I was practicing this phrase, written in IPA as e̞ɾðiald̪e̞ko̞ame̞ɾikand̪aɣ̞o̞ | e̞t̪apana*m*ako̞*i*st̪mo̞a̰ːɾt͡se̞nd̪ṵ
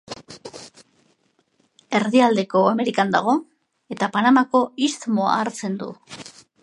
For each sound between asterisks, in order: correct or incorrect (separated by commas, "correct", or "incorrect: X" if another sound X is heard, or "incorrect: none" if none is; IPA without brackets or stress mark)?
correct, correct